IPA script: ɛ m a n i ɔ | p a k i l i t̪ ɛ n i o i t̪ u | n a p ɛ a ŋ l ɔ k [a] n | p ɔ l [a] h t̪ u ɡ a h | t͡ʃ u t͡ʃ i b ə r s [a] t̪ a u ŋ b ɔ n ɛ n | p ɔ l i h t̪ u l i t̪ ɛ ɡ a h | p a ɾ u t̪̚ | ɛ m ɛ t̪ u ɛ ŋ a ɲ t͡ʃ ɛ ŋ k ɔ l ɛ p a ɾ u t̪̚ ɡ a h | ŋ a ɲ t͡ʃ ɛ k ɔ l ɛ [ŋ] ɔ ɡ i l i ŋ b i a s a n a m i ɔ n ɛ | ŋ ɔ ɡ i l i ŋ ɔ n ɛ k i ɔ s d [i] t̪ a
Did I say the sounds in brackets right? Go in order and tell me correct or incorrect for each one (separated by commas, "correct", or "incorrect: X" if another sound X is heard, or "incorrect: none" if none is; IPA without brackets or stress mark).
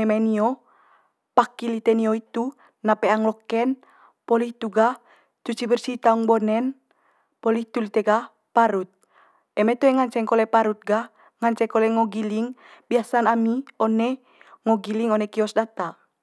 incorrect: ɛ, incorrect: i, incorrect: i, correct, incorrect: a